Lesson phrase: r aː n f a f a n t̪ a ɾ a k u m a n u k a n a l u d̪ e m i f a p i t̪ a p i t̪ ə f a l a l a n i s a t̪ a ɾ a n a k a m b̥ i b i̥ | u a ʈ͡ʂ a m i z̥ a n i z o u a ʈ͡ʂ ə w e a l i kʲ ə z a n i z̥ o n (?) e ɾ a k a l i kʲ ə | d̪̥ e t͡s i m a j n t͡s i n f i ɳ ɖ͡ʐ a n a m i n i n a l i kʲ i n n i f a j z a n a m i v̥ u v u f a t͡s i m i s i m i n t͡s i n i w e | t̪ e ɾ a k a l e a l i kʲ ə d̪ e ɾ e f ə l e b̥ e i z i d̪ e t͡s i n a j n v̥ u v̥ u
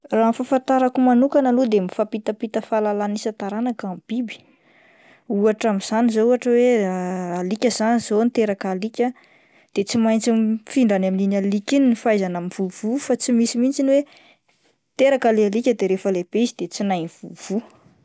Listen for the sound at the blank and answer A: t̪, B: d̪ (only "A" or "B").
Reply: A